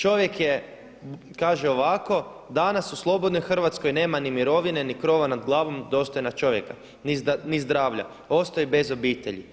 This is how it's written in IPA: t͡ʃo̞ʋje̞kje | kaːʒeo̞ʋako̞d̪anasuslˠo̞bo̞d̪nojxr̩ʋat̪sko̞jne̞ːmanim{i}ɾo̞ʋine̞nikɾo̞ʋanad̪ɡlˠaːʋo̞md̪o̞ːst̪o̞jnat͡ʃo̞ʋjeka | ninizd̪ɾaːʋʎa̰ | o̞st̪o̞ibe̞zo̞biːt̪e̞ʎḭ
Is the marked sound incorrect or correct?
correct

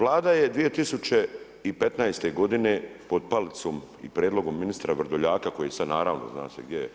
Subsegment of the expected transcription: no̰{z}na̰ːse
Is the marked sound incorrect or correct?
correct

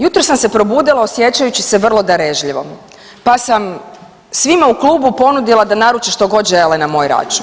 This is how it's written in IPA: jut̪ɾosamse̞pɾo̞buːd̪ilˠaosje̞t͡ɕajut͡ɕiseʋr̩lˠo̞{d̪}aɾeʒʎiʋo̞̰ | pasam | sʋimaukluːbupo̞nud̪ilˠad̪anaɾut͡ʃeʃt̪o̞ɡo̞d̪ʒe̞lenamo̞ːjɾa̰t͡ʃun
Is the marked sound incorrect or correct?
correct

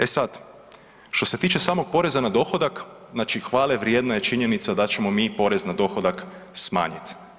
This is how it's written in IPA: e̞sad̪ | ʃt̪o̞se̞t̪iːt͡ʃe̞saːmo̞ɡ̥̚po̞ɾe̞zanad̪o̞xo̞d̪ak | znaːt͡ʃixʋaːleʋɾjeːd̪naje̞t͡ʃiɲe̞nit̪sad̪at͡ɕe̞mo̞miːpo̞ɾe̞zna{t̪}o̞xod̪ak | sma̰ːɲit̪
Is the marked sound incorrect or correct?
incorrect: d̪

